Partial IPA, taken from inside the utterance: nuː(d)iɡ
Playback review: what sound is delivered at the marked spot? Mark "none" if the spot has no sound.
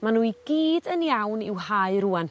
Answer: none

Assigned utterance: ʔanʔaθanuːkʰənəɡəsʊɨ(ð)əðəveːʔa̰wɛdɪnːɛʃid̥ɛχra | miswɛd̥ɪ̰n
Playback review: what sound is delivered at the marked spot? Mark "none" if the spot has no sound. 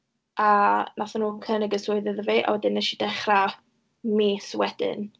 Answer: ð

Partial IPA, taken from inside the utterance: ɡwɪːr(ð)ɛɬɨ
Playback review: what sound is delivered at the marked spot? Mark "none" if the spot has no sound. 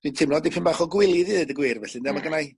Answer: v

